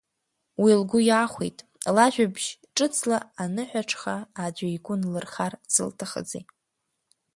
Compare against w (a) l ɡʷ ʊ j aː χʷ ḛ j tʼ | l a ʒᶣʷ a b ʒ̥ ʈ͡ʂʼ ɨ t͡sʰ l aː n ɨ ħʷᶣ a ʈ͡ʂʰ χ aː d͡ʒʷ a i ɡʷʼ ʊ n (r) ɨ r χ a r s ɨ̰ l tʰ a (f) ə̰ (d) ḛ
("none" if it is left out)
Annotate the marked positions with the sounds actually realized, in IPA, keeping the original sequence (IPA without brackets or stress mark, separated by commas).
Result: i, l, χ, d͡z